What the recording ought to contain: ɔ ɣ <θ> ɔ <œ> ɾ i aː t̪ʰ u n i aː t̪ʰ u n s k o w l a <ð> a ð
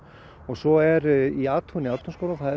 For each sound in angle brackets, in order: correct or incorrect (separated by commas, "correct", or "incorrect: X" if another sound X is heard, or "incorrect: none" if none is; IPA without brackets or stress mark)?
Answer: incorrect: s, incorrect: ɛ, incorrect: θ